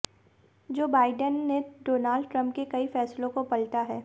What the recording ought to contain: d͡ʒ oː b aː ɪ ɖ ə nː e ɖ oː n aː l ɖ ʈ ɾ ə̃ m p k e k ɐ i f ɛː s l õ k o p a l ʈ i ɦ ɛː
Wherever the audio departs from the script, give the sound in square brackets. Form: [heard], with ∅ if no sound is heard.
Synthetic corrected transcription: d͡ʒ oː b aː ɪ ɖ ə nː e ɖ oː n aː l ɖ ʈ ɾ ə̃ m p k e k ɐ i f ɛː s l õ k o p [ɐ] l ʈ [a] ɦ ɛː